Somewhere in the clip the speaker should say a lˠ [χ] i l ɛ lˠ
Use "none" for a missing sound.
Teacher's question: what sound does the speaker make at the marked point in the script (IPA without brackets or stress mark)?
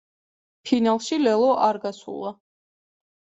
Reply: ʃ